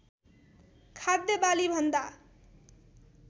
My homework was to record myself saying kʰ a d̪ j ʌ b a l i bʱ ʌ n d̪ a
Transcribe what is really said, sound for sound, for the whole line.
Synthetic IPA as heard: kʰ a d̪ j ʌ b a l i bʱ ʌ n d̪ a

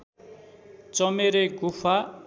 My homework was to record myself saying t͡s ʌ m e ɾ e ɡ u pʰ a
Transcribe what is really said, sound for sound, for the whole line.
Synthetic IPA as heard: t͡s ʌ m e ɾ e ɡ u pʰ a

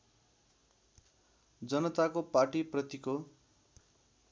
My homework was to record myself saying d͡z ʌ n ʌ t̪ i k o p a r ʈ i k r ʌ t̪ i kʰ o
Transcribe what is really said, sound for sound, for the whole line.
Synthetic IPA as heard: d͡z ʌ n ʌ t̪ a k o p a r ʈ i p r ʌ t̪ i k o

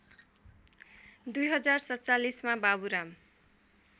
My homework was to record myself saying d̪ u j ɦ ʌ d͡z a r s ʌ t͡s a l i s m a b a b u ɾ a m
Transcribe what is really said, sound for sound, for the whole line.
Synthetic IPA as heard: d̪ u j ɦ ʌ d͡z a r s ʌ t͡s a l i s m a b a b u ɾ a m

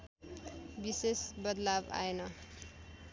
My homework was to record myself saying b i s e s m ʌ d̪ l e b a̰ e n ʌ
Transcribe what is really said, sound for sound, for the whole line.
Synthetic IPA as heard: b i s e s b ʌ d̪ l a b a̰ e n ʌ

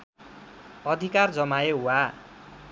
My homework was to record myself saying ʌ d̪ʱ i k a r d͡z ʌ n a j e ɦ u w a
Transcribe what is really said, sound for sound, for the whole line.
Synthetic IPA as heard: ʌ d̪ʱ i k a r d͡z ʌ m a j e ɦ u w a

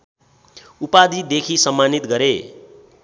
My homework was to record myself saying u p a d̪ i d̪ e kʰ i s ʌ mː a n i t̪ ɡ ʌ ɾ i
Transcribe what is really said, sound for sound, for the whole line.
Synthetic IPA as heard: u p a d̪ i d̪ e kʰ i s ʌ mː a n i t̪ ɡ ʌ ɾ e

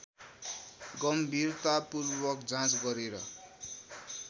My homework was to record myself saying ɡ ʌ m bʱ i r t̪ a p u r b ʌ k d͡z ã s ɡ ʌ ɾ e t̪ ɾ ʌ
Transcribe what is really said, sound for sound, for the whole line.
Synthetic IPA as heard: ɡ ʌ m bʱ i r t̪ a p u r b ʌ k d͡z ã t͡s ɡ ʌ ɾ e ɾ ʌ

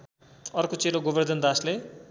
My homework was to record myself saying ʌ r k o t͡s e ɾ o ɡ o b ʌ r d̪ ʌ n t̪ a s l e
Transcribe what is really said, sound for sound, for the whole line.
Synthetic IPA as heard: ʌ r k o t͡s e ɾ o ɡ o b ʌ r d̪ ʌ n d̪ a s l e

